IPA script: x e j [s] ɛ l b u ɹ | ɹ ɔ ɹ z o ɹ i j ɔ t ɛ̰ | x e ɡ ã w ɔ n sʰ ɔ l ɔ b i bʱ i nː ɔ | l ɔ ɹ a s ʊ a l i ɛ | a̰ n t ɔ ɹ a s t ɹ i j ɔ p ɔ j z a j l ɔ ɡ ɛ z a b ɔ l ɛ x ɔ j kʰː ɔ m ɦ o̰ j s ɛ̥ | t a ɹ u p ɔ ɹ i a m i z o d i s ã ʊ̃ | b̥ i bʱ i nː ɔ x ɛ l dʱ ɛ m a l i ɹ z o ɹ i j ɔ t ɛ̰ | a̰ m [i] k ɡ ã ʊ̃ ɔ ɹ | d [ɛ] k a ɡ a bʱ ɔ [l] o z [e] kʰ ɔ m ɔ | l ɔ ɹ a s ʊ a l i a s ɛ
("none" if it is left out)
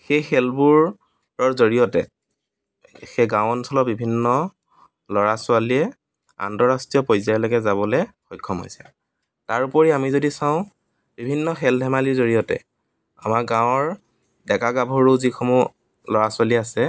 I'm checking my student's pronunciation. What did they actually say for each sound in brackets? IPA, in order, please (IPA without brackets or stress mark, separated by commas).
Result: x, a, ɛ, ɹ, i